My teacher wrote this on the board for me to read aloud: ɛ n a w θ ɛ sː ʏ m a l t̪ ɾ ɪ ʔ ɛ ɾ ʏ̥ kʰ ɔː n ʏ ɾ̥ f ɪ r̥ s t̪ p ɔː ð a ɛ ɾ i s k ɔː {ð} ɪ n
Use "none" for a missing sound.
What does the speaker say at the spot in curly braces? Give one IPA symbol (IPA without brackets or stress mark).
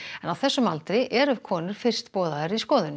ð